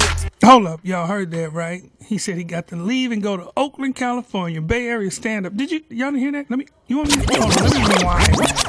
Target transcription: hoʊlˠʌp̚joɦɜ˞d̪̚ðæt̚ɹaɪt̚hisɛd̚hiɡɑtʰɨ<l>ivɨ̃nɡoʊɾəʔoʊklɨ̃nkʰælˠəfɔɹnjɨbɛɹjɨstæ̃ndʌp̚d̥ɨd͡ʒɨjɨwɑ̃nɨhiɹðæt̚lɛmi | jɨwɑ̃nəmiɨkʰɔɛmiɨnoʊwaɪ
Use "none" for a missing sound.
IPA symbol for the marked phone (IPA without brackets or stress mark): l